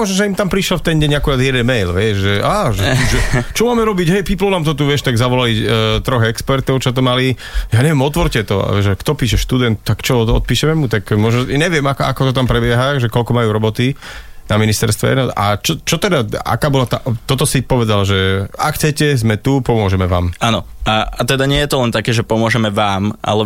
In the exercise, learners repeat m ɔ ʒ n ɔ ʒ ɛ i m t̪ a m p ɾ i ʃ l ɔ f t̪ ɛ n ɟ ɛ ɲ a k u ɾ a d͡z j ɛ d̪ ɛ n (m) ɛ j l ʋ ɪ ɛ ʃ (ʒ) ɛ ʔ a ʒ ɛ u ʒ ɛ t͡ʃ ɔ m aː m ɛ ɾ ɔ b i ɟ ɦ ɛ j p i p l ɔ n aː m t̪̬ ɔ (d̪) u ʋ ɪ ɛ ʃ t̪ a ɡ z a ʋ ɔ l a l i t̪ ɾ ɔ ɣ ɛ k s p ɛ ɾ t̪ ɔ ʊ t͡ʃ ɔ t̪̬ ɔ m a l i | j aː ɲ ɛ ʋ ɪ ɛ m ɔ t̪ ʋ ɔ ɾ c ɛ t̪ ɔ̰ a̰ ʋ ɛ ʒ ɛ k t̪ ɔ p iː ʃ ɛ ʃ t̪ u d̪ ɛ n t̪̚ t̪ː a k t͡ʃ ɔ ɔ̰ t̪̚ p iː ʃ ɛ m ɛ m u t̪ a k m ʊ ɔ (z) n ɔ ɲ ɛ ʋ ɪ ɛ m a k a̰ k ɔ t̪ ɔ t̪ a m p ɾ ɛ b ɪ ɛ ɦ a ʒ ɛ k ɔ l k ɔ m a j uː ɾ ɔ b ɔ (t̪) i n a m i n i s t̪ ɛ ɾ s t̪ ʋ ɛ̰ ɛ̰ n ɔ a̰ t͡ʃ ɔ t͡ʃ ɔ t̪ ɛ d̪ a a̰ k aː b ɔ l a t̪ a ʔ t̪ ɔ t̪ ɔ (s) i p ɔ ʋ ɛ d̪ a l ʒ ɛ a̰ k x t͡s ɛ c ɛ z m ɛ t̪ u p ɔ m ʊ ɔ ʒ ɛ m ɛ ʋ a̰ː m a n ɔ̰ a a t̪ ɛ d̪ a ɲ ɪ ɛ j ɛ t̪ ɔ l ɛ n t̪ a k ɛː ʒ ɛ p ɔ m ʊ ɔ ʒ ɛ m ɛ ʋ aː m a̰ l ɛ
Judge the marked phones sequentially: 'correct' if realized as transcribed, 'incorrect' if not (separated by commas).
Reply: correct, correct, incorrect, incorrect, correct, correct